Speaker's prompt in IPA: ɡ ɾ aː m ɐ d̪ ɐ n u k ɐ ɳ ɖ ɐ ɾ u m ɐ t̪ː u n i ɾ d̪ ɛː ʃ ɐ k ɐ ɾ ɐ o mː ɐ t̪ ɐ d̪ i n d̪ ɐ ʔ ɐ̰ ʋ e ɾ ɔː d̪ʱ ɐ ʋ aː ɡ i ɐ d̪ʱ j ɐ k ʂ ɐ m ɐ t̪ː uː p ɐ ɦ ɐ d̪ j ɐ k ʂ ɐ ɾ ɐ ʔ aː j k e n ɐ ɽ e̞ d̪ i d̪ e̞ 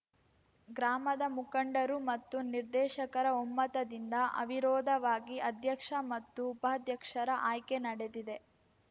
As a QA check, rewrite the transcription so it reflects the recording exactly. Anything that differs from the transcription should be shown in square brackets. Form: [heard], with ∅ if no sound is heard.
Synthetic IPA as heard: ɡ ɾ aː m ɐ d̪ ɐ [m] u k ɐ ɳ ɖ ɐ ɾ u m ɐ t̪ː u n i ɾ d̪ ɛː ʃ ɐ k ɐ ɾ ɐ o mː ɐ t̪ ɐ d̪ i n d̪ ɐ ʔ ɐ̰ ʋ [i] ɾ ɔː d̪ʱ ɐ ʋ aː ɡ i ɐ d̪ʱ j ɐ k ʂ ɐ m ɐ t̪ː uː p ɐ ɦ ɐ d̪ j ɐ k ʂ ɐ ɾ ɐ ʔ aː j k e n ɐ ɽ e̞ d̪ i d̪ e̞